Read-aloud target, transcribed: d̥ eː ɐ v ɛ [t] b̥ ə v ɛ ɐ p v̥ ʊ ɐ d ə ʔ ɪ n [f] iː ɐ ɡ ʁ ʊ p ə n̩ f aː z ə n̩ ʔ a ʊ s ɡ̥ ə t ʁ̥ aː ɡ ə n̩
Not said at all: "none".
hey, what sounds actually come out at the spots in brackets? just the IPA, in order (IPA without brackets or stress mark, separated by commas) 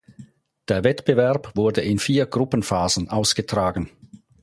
t, f